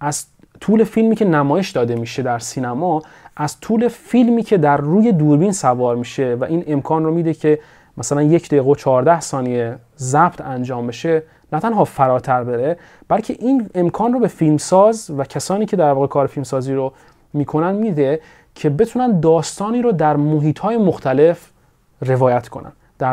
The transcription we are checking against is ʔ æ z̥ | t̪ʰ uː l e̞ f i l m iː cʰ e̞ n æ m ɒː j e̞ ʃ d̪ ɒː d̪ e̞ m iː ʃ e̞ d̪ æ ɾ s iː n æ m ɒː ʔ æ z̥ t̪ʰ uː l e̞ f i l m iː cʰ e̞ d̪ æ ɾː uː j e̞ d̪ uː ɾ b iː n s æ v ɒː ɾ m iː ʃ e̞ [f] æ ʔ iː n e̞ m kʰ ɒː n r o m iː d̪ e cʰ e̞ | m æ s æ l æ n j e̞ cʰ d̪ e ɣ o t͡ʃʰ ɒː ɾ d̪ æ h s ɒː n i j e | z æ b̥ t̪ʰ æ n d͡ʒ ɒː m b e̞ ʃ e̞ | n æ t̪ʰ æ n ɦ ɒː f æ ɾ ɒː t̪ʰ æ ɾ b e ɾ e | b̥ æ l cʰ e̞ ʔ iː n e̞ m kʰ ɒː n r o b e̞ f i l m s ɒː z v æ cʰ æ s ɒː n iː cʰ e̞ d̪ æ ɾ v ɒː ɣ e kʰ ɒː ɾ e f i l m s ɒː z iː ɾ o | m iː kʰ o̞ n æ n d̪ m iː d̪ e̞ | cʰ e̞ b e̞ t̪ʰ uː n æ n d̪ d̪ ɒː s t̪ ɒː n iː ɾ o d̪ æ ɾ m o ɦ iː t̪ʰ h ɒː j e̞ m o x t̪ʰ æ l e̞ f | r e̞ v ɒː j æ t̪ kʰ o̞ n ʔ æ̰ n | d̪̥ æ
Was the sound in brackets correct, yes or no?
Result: no